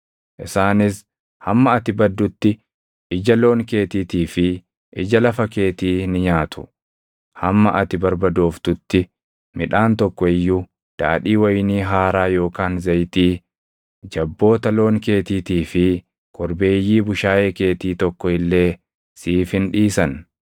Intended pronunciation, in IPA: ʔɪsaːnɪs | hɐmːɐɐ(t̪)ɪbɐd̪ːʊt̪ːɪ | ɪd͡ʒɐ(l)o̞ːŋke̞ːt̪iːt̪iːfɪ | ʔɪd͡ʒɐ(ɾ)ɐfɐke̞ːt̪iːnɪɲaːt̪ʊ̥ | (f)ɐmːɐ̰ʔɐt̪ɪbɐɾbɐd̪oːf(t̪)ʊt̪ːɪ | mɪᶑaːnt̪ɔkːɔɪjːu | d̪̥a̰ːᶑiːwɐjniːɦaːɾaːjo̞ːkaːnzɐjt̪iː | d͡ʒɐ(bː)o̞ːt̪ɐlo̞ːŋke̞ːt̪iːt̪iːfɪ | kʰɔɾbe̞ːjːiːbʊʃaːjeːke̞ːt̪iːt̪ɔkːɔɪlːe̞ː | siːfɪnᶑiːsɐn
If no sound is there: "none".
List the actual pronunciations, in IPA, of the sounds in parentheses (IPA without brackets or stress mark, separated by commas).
t̪, l, l, h, t̪, bː